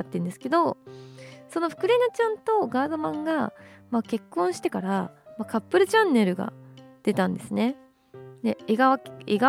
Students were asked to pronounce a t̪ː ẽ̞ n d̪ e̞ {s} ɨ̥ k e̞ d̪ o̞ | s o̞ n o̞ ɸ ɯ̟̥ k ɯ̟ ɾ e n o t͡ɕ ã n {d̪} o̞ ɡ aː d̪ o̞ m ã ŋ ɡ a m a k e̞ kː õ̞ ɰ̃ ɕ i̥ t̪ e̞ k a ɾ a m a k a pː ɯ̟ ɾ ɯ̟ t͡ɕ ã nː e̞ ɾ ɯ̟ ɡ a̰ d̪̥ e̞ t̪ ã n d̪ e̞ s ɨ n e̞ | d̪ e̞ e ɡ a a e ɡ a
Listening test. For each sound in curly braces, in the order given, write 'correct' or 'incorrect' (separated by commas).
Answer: correct, incorrect